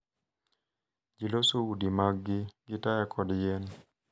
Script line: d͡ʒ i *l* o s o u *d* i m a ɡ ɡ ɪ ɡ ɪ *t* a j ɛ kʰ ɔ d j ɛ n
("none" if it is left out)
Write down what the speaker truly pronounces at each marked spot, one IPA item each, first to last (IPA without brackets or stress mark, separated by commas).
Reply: l, d, t